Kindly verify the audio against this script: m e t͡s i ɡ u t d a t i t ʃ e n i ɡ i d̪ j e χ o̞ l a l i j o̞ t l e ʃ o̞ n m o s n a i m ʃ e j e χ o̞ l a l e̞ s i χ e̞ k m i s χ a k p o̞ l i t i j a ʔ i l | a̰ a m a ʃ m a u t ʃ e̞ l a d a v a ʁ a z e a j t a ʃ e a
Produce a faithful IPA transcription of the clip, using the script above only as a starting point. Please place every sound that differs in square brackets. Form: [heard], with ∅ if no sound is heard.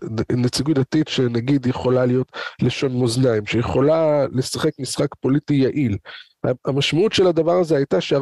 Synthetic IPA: [n] e t͡s i ɡ u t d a t i t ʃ e n [a] ɡ i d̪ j e χ o̞ l a l i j o̞ t l e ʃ o̞ n m o [z] n a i m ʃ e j e χ o̞ l a l e̞ s [a] χ e̞ k m i s χ a k p o̞ l i t i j a ʔ i l | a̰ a m a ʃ m a u t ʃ e̞ l a d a v a ʁ a z e a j t a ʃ e a